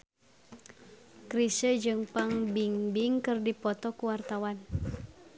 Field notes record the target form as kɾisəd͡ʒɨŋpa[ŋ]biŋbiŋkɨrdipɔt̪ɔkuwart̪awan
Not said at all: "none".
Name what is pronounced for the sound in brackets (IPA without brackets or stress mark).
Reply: ŋ